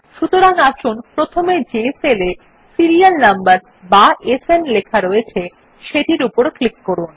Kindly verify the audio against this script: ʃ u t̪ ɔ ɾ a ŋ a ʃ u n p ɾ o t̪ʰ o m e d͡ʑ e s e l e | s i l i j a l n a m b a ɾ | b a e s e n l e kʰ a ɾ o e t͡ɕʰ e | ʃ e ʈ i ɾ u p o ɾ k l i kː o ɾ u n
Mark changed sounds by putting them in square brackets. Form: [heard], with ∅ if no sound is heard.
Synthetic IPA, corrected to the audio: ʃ u t̪ [o] ɾ a ŋ a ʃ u n p ɾ o t̪ʰ o m e d͡ʑ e s e l e | s i [ɾ] i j a l n a m b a ɾ | b a e s e n l e kʰ a ɾ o e t͡ɕʰ e | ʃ e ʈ i ɾ u p o ɾ k l i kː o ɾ u n